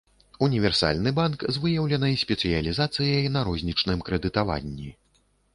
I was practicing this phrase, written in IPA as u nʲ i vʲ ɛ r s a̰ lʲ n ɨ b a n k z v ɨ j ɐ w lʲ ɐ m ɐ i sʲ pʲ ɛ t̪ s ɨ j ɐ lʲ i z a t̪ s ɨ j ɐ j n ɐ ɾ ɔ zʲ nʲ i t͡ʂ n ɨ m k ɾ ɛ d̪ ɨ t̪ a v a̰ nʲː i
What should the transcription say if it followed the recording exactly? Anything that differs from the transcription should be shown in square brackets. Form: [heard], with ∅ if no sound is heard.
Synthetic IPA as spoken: u nʲ i vʲ ɛ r s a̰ lʲ n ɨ b a n k z v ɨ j ɐ w lʲ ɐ [n] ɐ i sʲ pʲ ɛ t̪ s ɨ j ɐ lʲ i z a t̪ s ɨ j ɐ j n ɐ ɾ ɔ zʲ nʲ i t͡ʂ n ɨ m k ɾ ɛ d̪ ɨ t̪ a v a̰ nʲː i